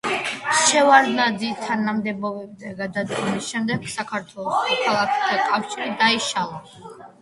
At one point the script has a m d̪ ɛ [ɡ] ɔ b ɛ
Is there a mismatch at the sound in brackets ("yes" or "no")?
yes